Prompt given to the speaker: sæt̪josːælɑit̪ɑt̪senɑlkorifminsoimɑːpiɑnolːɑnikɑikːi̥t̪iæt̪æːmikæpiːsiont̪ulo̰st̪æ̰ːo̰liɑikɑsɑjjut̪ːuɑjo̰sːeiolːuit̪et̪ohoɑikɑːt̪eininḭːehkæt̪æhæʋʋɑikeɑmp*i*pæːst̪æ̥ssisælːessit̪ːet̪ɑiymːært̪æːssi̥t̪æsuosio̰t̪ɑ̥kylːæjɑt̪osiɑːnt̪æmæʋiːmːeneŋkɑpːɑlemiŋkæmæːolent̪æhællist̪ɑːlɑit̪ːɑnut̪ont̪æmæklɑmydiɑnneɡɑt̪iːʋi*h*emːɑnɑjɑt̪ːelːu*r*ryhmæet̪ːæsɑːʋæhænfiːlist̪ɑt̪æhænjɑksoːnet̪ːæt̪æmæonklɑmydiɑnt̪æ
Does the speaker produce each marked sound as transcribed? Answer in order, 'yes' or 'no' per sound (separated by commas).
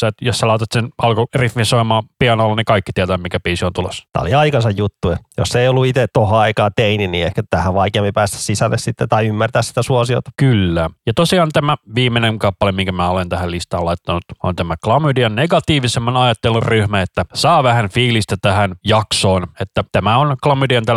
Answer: yes, no, yes